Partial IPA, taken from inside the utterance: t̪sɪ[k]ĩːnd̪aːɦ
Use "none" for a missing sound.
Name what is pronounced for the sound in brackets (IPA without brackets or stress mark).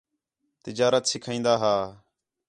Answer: kʰ